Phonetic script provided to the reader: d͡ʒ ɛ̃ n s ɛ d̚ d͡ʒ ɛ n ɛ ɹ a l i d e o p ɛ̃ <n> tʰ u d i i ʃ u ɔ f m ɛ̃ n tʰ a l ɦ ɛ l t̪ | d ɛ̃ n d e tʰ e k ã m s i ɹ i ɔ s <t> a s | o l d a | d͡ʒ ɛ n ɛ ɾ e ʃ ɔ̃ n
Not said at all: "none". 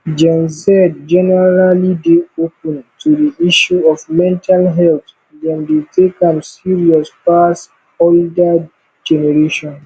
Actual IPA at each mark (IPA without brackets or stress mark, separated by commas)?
n, p